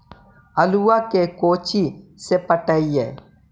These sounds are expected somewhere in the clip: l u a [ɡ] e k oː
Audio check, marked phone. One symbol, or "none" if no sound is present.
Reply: k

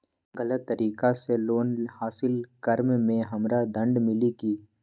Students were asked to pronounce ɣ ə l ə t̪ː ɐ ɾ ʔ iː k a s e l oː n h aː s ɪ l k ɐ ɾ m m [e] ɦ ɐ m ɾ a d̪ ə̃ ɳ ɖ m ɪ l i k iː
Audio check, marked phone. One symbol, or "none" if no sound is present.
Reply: ẽ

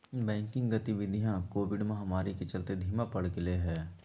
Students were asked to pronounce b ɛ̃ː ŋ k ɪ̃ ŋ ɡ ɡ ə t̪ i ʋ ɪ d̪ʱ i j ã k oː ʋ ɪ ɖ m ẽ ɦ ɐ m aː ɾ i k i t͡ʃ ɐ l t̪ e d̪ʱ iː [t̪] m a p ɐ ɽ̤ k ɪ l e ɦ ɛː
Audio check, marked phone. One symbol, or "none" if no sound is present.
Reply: none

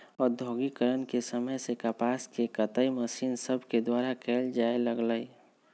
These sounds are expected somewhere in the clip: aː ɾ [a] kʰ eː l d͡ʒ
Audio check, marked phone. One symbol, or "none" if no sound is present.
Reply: a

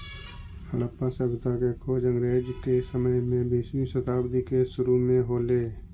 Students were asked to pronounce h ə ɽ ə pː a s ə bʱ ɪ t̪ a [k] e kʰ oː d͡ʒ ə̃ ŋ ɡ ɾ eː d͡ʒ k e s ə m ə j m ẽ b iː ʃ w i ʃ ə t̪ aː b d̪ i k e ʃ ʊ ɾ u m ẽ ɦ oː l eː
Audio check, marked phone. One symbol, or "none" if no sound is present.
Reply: k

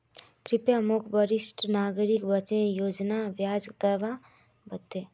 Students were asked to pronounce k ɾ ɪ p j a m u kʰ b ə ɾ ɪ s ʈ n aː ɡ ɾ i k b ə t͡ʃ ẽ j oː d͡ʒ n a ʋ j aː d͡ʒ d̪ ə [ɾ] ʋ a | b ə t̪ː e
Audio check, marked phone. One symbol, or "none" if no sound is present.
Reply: ɾ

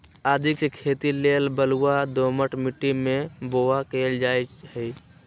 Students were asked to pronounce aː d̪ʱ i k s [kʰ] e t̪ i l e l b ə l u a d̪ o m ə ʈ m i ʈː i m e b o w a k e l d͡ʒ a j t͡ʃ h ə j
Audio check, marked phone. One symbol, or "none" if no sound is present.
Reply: kʰ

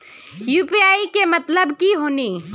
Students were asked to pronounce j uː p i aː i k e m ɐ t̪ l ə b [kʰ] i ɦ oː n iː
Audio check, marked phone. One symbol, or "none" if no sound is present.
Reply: k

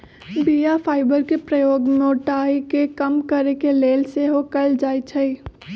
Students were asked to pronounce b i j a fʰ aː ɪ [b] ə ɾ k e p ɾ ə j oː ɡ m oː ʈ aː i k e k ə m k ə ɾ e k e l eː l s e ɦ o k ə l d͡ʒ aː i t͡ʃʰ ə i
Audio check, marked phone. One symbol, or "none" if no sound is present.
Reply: b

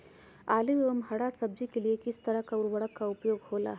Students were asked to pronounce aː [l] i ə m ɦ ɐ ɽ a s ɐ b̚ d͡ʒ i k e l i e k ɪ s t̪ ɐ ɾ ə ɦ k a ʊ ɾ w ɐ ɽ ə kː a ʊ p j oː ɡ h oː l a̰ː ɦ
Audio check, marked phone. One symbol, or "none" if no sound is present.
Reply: l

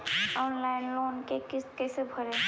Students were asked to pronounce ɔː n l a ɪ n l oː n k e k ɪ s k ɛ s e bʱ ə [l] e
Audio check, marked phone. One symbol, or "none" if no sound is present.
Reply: ɾ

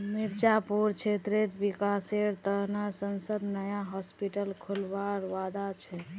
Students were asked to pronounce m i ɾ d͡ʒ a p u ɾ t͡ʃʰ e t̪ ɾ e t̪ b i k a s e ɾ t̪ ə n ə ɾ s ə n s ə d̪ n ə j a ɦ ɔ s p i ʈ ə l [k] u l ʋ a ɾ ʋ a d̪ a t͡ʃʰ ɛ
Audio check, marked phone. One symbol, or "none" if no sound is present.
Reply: kʰ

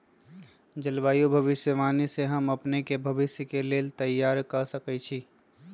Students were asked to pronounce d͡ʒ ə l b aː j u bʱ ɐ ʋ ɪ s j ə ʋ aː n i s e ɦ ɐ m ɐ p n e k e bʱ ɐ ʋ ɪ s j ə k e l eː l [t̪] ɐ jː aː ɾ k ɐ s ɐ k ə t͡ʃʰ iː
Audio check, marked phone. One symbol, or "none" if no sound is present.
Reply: t̪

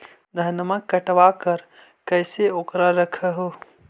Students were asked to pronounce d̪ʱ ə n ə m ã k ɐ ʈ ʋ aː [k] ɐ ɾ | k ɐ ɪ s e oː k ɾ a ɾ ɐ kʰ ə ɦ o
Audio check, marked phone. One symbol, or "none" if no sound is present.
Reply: k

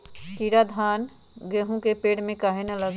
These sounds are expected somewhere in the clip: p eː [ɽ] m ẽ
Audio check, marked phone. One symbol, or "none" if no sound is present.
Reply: ɽ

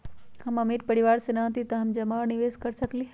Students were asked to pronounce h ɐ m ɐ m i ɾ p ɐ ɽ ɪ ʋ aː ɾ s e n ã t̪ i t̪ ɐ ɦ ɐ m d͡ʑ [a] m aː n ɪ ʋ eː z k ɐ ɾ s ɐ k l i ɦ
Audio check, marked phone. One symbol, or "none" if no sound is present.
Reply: ɐ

